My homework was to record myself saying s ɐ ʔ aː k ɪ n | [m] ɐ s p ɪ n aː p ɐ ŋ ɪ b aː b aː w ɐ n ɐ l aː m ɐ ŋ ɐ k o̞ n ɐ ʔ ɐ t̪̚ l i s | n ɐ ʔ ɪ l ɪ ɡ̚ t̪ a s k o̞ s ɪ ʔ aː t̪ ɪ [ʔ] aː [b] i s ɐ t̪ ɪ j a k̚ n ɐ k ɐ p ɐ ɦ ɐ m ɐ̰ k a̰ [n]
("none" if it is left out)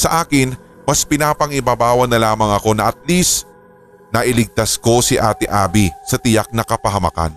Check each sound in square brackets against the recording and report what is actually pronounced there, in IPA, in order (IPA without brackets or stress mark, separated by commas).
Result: m, ʔ, b, n